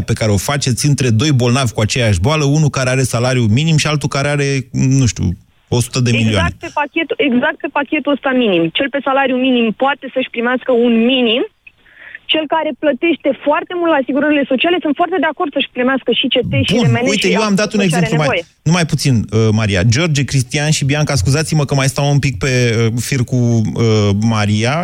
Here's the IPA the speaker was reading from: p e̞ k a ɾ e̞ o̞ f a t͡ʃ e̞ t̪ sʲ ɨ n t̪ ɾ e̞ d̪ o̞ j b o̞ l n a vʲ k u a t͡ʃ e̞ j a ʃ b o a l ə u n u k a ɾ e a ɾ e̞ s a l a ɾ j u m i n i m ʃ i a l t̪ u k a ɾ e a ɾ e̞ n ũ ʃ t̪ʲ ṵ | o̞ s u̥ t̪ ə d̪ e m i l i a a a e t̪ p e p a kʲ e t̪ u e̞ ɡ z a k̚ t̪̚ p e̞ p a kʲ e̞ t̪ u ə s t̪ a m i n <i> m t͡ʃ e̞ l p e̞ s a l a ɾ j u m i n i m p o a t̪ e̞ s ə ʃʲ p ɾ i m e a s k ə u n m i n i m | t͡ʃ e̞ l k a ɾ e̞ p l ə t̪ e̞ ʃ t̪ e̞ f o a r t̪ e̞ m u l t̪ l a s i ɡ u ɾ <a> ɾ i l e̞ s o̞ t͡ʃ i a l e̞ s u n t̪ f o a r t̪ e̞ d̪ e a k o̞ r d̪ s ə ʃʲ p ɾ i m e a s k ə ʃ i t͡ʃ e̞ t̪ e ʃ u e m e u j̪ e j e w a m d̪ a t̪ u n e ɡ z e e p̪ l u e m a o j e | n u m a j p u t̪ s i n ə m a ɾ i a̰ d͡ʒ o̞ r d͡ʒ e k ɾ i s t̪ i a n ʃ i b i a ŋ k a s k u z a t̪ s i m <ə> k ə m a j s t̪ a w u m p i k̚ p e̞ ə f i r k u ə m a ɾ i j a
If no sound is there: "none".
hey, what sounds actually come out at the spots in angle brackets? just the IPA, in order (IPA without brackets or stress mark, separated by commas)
i, ə, ə